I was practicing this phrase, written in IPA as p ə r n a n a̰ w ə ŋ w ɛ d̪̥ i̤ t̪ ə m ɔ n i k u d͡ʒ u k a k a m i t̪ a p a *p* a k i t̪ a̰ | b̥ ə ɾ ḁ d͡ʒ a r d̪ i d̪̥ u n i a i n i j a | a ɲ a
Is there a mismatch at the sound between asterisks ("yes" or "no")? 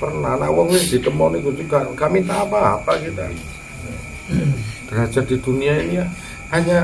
no